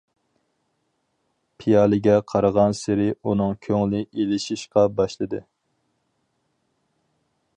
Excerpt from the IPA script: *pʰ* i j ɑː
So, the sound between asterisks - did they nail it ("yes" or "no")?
yes